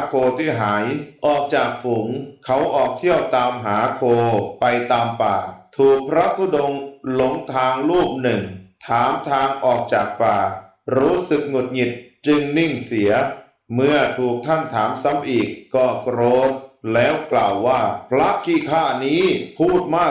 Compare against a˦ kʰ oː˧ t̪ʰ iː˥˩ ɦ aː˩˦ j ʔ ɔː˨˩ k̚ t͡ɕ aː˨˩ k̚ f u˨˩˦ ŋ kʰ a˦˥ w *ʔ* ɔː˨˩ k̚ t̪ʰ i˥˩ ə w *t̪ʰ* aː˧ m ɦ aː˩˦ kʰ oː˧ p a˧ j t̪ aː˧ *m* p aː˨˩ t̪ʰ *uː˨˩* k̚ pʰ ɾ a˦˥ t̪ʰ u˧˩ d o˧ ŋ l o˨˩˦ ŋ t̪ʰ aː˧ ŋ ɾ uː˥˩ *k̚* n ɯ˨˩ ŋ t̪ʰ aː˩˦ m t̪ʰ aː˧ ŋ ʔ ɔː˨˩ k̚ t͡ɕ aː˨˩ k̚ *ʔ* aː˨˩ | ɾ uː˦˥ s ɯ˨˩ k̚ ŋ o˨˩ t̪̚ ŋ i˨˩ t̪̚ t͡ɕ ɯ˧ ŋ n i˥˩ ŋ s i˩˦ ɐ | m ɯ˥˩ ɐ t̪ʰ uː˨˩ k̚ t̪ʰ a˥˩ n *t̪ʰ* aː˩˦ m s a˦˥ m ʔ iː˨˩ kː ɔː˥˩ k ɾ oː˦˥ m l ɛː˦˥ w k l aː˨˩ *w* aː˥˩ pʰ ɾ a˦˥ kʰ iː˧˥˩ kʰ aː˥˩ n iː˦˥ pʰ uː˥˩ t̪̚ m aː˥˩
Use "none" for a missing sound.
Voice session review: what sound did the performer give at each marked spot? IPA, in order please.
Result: ʔ, t̪, m, uː˨˩, p̚, p, t̪ʰ, wː

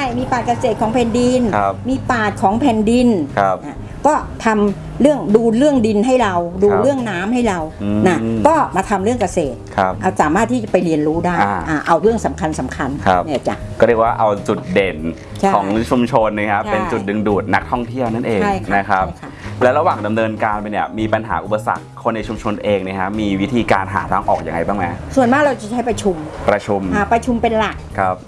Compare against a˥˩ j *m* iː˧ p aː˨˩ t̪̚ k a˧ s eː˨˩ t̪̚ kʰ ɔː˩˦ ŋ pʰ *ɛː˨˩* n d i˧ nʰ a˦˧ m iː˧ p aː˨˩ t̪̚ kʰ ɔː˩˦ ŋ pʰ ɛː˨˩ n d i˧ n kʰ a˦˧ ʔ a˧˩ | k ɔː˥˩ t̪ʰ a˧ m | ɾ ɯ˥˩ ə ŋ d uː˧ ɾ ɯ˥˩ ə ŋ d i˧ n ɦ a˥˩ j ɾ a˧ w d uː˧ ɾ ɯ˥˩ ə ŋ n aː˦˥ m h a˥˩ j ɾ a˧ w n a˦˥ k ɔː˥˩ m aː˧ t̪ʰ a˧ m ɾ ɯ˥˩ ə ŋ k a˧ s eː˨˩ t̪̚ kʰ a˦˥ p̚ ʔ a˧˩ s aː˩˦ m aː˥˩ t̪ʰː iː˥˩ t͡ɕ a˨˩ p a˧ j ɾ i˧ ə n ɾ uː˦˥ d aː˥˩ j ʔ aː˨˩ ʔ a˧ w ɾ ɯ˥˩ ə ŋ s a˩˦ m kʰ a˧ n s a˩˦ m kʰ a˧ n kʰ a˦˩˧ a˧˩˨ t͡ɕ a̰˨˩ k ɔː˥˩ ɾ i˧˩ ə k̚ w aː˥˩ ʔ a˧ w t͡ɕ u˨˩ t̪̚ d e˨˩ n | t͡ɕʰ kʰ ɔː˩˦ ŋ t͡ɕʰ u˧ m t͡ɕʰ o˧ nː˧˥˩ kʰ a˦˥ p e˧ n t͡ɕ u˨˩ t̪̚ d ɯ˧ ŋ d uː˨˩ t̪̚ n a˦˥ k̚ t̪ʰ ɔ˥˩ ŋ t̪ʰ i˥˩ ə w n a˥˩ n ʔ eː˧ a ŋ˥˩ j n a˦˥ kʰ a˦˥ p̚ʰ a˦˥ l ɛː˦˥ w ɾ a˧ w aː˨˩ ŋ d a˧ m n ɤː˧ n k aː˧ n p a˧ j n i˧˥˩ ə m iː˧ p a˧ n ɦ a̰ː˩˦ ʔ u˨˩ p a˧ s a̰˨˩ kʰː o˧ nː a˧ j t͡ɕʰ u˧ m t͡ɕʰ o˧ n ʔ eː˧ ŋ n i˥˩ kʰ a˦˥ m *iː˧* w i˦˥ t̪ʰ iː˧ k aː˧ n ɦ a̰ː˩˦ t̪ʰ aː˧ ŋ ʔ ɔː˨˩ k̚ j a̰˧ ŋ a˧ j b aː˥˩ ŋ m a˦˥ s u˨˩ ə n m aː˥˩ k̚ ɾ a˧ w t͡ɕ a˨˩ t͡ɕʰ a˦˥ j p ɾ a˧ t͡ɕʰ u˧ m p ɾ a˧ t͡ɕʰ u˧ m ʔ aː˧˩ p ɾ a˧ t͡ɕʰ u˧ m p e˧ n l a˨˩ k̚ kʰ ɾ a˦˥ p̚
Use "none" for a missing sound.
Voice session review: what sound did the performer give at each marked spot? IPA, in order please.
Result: m, ɛː˨˩, iː˧

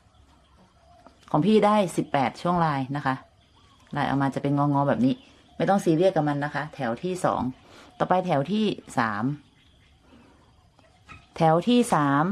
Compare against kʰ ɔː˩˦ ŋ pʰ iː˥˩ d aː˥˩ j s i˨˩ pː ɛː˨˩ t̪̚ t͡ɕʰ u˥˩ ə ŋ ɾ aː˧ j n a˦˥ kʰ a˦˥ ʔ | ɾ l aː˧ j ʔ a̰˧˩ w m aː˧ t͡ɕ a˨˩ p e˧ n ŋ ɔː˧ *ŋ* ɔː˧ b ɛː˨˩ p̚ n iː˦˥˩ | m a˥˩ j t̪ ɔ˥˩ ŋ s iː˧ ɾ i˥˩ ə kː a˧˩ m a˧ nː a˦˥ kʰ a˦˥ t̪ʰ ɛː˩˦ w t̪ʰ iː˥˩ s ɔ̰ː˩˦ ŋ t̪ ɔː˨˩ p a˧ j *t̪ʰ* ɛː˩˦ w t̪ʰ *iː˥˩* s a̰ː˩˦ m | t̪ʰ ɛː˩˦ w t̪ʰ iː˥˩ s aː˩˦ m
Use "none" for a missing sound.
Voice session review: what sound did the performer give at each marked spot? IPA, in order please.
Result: ŋ, t̪ʰ, iː˥˩

